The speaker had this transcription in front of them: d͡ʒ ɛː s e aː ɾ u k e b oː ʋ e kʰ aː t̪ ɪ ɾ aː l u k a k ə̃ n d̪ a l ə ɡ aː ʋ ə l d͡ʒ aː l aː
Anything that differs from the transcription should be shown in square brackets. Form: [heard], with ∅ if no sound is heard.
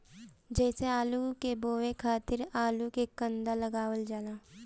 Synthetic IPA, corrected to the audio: d͡ʒ ɛː s e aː [l] u k e b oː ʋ e kʰ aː t̪ ɪ ɾ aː l u k [e] k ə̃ n d̪ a l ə ɡ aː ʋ ə l d͡ʒ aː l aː